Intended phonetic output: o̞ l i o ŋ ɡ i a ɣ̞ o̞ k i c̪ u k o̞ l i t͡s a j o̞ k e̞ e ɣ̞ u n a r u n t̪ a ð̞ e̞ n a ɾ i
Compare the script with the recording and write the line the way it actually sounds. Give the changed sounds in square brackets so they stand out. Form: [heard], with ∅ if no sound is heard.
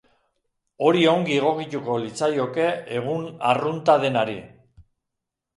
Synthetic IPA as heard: o̞ [ɾ] i o ŋ ɡ i [e] ɣ̞ o̞ k i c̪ u k o̞ l i t͡s a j o̞ k e̞ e ɣ̞ u n a r u n t̪ a ð̞ e̞ n a ɾ i